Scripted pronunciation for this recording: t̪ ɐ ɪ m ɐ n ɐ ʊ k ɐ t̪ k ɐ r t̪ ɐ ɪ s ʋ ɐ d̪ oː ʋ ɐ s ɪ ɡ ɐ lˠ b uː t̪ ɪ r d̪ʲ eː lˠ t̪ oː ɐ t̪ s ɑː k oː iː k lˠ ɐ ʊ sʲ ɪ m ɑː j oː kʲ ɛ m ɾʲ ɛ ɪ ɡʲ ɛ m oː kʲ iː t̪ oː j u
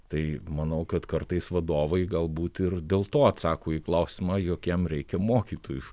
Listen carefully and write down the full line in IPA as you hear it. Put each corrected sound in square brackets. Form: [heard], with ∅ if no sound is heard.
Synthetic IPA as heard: t̪ ɐ ɪ m ɐ n ɐ ʊ k ɐ t̪ k ɐ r t̪ ɐ ɪ s ʋ ɐ d̪ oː ʋ ɐ [∅] ɪ ɡ ɐ lˠ b uː t̪ ɪ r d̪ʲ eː lˠ t̪ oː ɐ t̪ s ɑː k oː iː k lˠ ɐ ʊ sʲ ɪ m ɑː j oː kʲ ɛ m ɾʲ ɛ ɪ [kʲ] ɛ m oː kʲ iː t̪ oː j u